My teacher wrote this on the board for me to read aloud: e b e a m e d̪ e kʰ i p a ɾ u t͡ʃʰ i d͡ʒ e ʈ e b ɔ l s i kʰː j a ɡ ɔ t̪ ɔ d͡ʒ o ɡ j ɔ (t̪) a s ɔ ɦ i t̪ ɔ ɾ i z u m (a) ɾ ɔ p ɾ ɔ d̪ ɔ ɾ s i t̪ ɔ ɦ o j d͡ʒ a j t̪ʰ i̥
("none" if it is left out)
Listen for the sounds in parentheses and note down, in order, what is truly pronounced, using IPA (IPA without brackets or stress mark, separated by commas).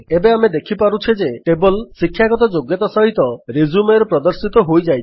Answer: t̪, e